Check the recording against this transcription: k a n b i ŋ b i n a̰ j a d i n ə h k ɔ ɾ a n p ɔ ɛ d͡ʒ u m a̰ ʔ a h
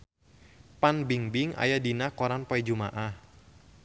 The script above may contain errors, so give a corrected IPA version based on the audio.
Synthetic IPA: p a n b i ŋ b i ŋ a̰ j a d i n a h k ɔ ɾ a n p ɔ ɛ d͡ʒ u m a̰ ʔ a h